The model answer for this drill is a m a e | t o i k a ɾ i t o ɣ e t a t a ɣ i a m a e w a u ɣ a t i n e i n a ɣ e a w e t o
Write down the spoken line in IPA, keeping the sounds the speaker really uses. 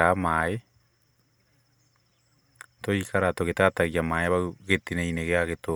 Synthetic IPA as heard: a m a e | t o i k a ɾ a t o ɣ e t a t a ɣ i a m a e β a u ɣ e t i n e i n e ɣ e a ɣ e t o